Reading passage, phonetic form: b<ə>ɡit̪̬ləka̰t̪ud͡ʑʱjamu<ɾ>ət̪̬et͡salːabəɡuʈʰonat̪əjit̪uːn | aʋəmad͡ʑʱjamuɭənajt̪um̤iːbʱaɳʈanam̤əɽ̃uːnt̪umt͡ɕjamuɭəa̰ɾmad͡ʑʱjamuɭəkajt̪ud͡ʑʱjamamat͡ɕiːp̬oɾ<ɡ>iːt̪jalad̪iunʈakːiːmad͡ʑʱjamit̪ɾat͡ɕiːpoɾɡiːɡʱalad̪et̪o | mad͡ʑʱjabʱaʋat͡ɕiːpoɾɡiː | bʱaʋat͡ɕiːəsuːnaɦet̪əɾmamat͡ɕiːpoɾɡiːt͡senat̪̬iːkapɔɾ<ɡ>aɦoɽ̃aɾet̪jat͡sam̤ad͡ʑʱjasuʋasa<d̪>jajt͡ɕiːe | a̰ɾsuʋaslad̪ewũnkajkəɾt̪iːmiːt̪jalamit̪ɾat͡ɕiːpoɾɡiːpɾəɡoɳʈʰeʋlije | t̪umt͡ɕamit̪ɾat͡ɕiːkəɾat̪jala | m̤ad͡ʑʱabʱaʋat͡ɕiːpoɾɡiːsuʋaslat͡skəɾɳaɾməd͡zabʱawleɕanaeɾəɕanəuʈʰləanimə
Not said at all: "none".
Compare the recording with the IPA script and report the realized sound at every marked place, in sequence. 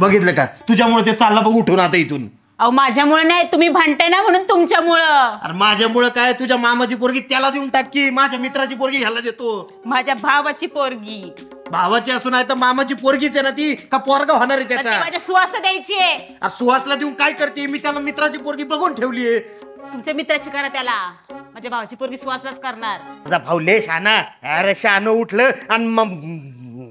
ə, ɭ, ɡ, ɡ, d̪

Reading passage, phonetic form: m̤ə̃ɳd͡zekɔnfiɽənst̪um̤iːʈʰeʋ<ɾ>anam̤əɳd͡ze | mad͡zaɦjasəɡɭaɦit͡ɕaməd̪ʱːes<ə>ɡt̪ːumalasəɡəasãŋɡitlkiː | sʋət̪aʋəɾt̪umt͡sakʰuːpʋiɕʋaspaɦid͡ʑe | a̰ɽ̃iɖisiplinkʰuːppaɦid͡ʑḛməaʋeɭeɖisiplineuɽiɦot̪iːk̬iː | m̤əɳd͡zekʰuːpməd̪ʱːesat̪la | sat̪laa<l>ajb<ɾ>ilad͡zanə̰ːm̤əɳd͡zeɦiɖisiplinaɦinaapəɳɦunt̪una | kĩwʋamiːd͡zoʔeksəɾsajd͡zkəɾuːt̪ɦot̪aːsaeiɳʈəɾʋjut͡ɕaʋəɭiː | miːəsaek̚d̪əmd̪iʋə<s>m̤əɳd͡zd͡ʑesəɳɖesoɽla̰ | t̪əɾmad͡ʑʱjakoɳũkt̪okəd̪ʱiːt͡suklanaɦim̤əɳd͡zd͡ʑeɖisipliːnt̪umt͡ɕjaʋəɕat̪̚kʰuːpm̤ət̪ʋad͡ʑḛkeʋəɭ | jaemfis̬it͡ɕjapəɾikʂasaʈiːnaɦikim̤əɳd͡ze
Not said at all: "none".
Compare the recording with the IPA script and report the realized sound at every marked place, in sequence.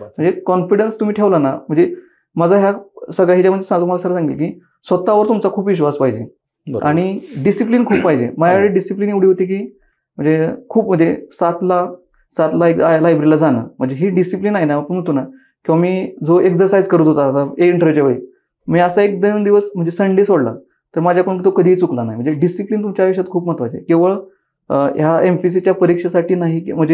l, a, l, ɾ, s

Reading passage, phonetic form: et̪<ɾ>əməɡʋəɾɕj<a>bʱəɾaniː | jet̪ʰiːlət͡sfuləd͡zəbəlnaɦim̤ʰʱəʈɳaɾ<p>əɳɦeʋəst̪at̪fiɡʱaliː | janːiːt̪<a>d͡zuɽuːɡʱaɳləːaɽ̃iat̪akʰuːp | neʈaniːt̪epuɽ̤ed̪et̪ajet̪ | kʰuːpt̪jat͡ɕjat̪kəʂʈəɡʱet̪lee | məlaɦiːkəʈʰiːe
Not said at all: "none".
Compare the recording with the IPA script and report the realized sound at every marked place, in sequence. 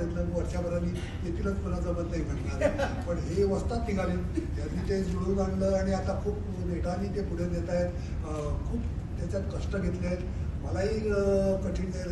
l, a, p, e

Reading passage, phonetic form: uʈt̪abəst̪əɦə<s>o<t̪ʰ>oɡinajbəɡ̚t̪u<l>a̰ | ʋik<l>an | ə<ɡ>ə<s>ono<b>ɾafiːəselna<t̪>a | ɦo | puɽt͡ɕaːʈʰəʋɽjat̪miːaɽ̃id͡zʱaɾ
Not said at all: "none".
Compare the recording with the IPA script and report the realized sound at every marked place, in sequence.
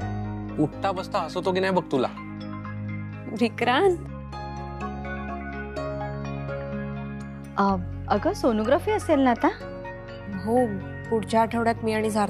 s, t̪, l, ɾ, ɡ, s, ɡ, t̪

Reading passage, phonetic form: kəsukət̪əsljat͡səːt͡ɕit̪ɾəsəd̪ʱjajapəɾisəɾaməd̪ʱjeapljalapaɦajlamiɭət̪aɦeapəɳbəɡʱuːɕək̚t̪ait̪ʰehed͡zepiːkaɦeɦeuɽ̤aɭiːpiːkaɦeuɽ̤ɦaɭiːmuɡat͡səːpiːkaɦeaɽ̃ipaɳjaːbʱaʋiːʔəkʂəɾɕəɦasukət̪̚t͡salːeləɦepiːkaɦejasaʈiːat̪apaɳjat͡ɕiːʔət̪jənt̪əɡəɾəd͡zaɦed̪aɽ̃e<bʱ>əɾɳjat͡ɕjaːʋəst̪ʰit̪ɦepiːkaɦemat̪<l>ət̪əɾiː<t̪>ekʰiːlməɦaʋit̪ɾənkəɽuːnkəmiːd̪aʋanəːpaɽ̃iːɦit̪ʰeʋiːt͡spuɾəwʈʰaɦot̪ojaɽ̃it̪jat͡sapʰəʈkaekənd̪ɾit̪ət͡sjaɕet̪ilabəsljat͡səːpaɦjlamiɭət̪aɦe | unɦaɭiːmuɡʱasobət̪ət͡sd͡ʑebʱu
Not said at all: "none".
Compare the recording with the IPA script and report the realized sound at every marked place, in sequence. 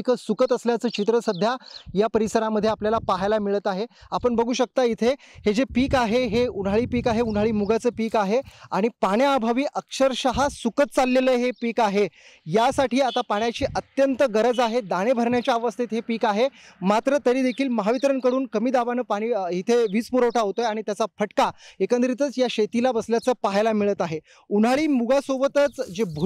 bʱ, ɾ, d̪

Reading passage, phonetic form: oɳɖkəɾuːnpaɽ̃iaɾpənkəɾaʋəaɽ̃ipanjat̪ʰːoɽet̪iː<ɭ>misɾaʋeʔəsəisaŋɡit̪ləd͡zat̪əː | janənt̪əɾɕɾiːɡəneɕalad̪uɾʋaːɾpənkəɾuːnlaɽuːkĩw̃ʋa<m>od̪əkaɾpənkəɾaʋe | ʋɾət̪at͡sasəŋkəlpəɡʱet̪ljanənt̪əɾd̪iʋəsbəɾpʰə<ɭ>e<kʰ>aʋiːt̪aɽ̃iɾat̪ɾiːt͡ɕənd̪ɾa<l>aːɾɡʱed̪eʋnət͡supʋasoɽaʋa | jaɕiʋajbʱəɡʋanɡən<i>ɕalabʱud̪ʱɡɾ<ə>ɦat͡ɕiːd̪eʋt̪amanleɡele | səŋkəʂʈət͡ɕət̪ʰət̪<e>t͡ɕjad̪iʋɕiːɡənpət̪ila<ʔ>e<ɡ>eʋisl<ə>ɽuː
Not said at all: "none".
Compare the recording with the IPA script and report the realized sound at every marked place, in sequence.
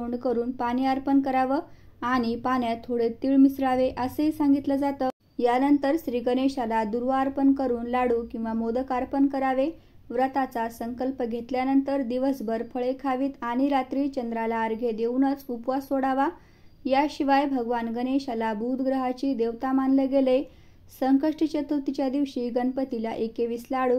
ɭ, m, ɭ, kʰ, l, e, ə, i, ʔ, k, a

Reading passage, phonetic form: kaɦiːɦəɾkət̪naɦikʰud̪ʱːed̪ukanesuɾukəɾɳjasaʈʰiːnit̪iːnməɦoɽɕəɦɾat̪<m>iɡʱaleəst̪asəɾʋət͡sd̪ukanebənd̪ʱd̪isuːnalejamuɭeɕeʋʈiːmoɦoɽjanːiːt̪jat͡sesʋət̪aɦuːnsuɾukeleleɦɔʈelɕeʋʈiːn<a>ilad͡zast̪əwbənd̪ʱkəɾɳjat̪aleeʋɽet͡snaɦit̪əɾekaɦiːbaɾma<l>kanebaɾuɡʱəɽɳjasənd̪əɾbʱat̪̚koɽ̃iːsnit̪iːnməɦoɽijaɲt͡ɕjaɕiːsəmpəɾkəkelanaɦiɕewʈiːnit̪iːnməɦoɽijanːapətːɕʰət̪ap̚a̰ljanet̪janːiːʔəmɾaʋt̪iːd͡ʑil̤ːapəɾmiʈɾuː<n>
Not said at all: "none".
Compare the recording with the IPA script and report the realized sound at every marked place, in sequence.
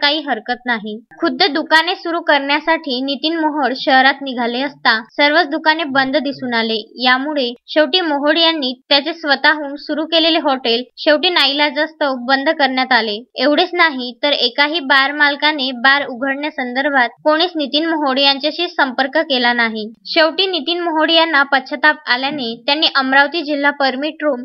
n, a, l, m

